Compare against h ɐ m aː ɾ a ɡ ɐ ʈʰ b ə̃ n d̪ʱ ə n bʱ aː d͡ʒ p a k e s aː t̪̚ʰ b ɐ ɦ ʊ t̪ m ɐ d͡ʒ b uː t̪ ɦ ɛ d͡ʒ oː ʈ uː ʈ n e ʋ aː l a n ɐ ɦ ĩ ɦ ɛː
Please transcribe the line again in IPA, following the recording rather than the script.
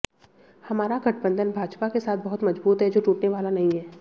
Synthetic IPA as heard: h ɐ m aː ɾ a ɡ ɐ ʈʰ b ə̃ n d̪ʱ ə n bʱ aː d͡ʒ p a k e s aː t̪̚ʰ b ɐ ɦ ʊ t̪ m ɐ d͡ʒ b uː t̪ ɦ ɛ d͡ʒ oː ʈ uː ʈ n e ʋ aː l a n ɐ ɦ ĩ ɦ ɛː